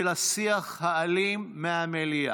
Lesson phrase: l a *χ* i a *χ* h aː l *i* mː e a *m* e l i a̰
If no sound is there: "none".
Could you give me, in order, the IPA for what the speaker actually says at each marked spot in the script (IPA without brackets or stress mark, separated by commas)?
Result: s, χ, i, m